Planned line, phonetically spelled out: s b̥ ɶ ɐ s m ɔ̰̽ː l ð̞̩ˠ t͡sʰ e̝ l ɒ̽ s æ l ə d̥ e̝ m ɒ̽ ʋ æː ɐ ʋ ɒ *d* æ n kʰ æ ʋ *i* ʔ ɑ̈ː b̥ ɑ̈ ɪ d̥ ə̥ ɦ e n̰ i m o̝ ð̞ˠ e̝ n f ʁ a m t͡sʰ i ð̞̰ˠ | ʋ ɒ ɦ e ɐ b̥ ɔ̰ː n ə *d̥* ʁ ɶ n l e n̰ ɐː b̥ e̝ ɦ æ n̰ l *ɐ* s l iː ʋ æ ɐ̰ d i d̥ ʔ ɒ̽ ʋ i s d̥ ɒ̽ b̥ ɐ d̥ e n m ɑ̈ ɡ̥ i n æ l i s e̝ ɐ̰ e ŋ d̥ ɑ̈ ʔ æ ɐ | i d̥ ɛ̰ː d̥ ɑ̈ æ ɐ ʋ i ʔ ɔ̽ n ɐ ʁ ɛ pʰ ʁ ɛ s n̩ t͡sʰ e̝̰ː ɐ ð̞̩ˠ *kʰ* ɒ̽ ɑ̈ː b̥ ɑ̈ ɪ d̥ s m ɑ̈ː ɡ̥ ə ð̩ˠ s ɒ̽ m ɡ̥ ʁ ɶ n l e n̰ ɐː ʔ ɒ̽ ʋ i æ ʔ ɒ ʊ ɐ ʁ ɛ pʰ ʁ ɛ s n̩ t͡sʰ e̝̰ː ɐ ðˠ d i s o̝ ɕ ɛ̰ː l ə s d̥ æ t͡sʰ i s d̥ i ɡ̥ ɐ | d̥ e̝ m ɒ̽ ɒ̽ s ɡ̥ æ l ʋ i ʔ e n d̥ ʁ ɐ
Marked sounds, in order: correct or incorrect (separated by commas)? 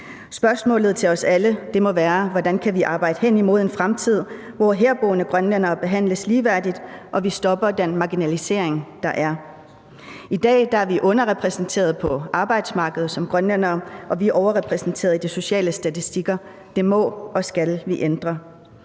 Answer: correct, correct, incorrect, incorrect, incorrect